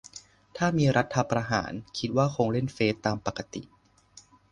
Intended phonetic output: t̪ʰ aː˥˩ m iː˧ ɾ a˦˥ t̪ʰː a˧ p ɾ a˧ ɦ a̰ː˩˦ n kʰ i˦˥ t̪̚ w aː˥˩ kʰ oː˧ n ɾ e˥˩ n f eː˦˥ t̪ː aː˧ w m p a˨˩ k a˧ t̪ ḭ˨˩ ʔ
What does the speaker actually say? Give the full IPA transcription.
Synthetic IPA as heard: t̪ʰ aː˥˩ m iː˧ ɾ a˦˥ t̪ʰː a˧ p ɾ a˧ ɦ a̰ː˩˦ n kʰ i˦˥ t̪̚ w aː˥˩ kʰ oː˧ ŋ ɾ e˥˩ n f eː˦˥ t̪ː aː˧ m p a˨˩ k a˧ t̪ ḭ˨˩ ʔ